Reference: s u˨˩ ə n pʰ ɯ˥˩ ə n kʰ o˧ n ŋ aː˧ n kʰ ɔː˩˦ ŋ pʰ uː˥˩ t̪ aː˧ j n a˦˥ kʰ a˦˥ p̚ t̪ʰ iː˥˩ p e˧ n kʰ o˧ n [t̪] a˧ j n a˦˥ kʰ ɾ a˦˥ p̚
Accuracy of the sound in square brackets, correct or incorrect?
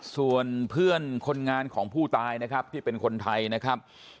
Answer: incorrect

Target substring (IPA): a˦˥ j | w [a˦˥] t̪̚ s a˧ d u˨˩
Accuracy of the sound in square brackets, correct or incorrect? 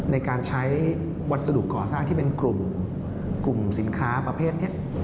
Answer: correct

